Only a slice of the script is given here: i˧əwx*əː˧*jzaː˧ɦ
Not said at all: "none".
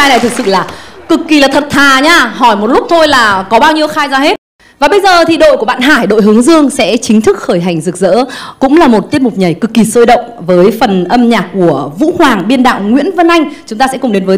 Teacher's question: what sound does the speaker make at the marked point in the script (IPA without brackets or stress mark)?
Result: aː˧